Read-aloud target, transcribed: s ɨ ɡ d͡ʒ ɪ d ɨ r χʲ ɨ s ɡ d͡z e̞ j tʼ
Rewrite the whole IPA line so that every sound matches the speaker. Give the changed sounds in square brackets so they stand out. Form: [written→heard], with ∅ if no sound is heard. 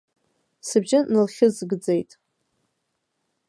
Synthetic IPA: s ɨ [ɡ→b] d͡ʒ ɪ [d→n] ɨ [r→l] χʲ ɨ [s→z] ɡ d͡z e̞ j tʼ

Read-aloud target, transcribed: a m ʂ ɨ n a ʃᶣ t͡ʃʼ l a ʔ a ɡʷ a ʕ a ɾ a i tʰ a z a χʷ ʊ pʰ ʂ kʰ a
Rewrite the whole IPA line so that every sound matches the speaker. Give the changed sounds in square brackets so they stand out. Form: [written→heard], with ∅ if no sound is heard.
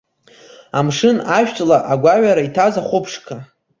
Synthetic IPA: a m ʂ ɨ n a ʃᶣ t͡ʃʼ l a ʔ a ɡʷ a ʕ a ɾ a i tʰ a z a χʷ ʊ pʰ ʂ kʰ a

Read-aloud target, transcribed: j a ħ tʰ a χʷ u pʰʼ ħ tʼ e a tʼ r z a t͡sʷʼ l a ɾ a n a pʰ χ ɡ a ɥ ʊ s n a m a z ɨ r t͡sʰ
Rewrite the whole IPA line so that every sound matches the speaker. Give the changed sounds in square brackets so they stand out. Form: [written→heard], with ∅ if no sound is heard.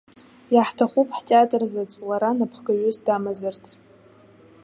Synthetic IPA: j a ħ tʰ a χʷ u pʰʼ ħ tʼ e a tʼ r z a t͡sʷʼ l a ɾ a n a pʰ χ ɡ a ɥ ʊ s [n→d] a m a z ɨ r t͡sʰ

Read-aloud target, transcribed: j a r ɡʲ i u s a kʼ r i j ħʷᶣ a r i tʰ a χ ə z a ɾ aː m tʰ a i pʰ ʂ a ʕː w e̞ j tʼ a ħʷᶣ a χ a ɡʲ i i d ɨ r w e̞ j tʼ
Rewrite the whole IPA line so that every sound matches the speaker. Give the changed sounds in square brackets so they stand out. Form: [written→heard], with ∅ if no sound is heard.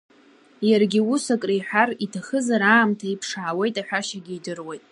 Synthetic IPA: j a r ɡʲ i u s a kʼ r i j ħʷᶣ a r i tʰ a χ ə z a ɾ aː m tʰ a i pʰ ʂ a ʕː w e̞ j tʼ a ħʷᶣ a [χ→ʃ] a ɡʲ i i d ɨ r w e̞ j tʼ

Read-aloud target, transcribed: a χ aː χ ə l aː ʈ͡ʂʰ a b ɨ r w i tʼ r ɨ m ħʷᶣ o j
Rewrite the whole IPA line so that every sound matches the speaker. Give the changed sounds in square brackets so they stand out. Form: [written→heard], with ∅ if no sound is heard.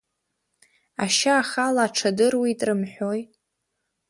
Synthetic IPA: a [χ→ʃ] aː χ [ə→a] l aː ʈ͡ʂʰ a [b→d] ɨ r w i tʼ r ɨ m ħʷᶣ o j

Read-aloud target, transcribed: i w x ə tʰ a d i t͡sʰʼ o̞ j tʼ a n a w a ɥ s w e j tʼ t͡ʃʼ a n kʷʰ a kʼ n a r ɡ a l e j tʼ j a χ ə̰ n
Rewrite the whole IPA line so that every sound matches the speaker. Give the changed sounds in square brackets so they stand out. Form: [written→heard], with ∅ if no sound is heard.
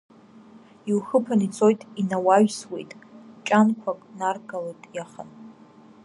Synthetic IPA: i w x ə [tʰ→pʰ] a [d→n] i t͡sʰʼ o̞ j tʼ [a→i] n a w a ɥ s w e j tʼ t͡ʃʼ a n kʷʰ a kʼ n a r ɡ a l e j tʼ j a χ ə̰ n

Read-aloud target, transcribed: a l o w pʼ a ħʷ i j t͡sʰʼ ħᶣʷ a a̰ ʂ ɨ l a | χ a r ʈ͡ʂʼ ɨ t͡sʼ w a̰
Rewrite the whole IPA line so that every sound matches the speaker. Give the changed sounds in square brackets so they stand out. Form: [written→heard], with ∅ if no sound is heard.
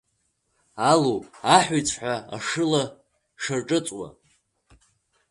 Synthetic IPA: a l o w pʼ a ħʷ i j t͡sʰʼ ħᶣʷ a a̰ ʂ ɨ l a | [χ→ʂ] a r ʈ͡ʂʼ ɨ t͡sʼ w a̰

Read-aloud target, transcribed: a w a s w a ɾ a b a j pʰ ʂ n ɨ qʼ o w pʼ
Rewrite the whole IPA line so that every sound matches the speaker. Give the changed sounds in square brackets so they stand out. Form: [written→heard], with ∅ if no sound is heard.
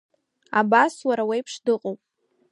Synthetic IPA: a [w→b] a s w a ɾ a [b→w] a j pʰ ʂ [n→d] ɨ qʼ o w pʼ

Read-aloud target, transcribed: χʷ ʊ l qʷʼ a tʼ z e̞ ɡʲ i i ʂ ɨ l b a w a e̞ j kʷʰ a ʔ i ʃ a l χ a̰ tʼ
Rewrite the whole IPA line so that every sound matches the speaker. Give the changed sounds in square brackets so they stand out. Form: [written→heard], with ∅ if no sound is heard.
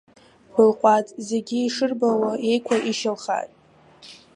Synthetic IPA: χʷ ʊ l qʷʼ a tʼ z e̞ ɡʲ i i ʂ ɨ [l→r] b a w a e̞ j kʷʰ a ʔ i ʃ a l χ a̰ tʼ

